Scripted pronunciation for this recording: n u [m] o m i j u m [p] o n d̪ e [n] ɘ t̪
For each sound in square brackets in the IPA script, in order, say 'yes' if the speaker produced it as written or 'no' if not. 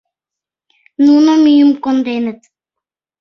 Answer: no, no, yes

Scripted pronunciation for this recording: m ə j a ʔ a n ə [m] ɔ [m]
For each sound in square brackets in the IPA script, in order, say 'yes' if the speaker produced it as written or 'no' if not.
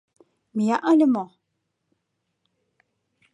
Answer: yes, no

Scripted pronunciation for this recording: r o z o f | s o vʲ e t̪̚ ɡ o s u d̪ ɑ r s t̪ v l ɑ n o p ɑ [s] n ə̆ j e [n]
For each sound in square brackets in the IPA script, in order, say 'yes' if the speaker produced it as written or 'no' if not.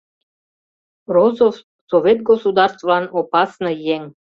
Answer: yes, no

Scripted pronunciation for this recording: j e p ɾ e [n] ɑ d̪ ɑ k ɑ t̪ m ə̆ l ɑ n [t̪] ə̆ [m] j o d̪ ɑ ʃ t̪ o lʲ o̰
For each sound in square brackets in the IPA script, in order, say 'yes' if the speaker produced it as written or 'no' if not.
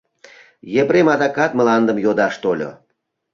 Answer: no, no, yes

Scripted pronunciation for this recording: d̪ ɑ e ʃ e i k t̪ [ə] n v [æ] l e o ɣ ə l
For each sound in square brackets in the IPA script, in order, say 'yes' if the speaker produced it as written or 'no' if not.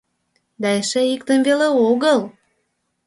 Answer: yes, no

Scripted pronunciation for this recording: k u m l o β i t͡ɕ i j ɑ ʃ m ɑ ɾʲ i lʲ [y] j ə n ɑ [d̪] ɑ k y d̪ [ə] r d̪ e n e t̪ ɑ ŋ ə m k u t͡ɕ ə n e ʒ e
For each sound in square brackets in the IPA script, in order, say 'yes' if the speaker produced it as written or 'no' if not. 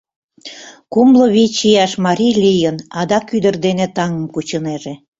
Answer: no, yes, yes

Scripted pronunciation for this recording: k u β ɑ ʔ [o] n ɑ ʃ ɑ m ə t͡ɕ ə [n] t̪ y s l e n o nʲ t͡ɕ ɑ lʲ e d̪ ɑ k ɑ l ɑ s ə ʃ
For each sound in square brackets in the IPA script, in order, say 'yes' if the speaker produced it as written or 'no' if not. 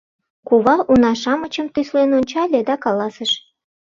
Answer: no, no

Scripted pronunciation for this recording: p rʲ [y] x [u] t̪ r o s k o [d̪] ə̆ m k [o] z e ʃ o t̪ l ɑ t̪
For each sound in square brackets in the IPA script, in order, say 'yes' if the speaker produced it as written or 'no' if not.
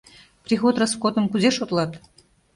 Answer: no, no, no, no

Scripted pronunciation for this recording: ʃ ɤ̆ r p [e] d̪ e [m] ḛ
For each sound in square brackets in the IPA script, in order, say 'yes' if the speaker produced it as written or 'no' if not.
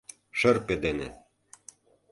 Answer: yes, no

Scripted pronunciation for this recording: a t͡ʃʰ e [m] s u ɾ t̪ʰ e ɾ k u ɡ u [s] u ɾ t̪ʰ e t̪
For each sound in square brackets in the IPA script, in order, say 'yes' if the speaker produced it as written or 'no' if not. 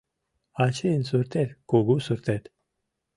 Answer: no, yes

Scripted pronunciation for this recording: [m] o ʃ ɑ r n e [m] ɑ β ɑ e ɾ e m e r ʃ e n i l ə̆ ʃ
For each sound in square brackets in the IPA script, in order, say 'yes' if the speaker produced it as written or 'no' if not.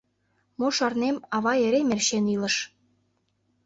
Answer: yes, yes

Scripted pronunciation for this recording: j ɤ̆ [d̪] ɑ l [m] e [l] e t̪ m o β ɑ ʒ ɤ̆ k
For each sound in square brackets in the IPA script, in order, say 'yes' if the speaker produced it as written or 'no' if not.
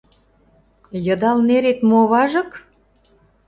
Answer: yes, no, no

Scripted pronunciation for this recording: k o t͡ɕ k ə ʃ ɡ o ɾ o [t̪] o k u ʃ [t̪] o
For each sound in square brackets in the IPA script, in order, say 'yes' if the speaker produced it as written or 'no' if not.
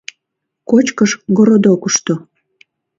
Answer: no, yes

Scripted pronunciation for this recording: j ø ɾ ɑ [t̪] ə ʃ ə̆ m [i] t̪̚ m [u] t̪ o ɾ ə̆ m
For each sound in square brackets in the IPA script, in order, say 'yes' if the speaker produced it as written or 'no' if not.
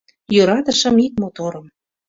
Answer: yes, yes, no

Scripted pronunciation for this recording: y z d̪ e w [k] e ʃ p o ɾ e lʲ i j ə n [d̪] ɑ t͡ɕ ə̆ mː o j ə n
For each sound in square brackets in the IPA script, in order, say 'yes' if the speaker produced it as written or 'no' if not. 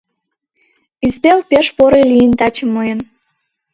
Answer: no, no

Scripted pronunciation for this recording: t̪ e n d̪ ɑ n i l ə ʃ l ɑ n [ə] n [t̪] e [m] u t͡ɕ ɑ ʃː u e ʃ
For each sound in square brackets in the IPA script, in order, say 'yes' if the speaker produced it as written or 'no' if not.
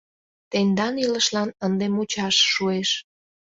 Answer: yes, no, yes

